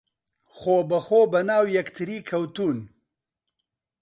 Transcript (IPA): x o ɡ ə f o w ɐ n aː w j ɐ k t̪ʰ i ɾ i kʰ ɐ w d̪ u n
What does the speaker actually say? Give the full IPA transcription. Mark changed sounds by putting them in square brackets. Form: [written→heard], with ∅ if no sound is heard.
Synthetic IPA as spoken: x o [ɡ→b] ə [f→x] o [w→b] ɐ n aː w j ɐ k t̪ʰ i ɾ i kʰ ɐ w [d̪→t̪] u n